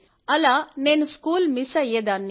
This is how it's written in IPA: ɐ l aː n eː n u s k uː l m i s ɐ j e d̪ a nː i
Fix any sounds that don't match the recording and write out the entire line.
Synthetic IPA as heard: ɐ l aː n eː n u s k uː l m i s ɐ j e d̪ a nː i